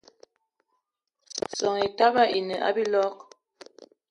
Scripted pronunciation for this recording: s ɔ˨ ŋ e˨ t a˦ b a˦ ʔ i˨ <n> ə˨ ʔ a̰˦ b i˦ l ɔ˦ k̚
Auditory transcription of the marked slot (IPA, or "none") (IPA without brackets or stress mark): n